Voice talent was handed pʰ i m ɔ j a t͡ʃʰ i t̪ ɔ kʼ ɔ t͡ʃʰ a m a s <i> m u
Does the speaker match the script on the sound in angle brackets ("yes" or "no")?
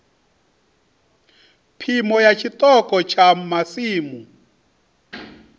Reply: no